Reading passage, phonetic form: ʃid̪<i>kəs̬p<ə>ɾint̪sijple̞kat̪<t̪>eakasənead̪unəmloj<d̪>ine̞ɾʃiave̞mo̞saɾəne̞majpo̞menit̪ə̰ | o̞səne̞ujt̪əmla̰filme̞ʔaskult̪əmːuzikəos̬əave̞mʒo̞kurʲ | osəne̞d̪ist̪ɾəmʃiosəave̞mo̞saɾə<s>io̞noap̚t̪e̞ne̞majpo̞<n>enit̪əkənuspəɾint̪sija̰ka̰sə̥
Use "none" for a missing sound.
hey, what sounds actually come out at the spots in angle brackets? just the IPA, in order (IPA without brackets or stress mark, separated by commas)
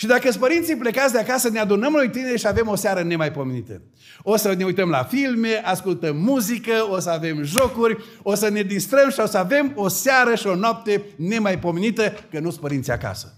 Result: a, ə, d̪, t̪, ʃ, m